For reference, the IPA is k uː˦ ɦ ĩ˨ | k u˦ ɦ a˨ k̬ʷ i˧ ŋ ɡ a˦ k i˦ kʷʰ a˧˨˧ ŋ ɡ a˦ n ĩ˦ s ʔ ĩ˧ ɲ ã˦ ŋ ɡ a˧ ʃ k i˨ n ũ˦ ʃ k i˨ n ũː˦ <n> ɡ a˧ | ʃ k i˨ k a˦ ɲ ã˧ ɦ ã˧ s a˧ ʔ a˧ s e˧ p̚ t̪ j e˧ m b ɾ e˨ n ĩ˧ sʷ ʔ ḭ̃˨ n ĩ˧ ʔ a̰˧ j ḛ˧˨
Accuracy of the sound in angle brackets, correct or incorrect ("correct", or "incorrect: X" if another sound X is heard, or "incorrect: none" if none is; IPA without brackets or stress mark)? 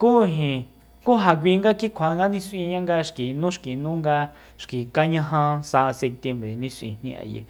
incorrect: ŋ